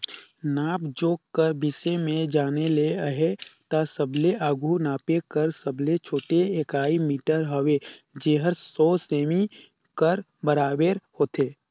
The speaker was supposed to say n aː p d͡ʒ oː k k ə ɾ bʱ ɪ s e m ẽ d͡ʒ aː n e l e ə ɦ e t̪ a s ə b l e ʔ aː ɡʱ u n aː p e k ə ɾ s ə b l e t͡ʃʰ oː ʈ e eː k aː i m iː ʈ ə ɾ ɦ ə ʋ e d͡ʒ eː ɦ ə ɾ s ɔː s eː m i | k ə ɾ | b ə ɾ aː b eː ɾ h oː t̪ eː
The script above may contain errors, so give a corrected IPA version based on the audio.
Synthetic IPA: n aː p d͡ʒ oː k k ə ɾ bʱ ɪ s e m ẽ d͡ʒ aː n e l e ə ɦ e t̪ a s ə b l e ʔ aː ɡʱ u n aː p e k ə ɾ s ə b l e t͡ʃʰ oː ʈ e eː k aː i m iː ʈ ə ɾ ɦ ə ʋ e d͡ʒ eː ɦ ə ɾ s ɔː s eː m i | k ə ɾ | b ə ɾ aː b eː ɾ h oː t̪ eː